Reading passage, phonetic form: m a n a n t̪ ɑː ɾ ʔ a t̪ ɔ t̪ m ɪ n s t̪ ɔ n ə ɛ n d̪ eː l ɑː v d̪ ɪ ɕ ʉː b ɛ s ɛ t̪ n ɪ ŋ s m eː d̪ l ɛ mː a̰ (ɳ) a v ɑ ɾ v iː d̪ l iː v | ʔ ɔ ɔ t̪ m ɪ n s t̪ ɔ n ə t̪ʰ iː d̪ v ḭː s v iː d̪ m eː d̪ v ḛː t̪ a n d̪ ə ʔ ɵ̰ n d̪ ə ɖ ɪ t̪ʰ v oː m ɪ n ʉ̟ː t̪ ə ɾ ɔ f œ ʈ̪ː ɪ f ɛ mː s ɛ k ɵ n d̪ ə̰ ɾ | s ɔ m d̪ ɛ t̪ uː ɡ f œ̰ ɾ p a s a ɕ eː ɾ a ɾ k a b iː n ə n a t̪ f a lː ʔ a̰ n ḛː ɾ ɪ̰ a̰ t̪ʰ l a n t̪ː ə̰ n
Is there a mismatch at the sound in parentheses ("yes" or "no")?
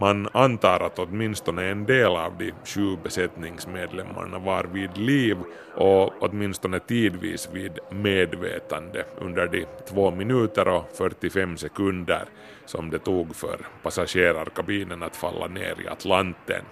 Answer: no